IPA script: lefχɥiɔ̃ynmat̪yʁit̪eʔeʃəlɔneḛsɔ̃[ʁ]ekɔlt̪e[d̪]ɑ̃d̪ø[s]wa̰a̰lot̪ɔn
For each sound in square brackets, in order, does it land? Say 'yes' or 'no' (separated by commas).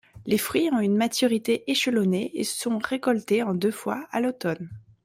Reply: yes, no, no